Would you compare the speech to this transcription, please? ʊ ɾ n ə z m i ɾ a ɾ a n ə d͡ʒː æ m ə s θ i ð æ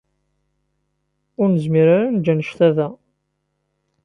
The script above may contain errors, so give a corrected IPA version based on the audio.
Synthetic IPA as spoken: ʊ ɾ n ə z m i ɾ a ɾ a n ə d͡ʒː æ n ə ʃ θ æ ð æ